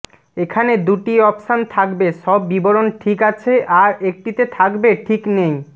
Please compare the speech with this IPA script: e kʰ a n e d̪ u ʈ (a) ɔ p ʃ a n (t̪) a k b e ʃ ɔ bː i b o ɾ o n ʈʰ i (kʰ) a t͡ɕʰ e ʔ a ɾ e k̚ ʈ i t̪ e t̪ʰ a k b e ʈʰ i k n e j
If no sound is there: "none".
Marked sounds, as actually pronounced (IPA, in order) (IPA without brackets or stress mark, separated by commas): i, t̪ʰ, k